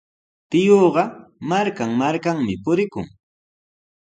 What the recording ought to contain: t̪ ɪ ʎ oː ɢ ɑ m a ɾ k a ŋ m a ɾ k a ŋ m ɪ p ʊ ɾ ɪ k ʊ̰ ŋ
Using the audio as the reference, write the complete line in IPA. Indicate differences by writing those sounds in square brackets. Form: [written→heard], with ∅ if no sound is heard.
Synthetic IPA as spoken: t̪ ɪ [ʎ→j] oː ɢ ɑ m a ɾ k a ŋ m a ɾ k a ŋ m ɪ p ʊ ɾ ɪ k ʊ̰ ŋ